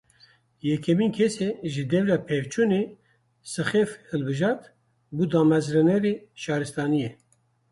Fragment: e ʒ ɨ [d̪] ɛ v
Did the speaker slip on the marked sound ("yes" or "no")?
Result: no